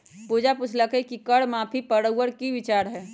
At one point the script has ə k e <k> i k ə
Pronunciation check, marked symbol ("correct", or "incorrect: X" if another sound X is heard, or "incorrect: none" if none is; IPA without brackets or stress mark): correct